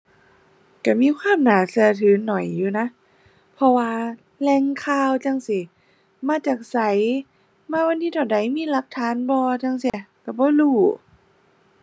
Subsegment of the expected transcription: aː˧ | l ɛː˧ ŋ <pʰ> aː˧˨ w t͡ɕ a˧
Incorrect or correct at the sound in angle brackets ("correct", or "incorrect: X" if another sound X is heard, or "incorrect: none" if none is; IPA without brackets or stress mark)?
incorrect: kʰ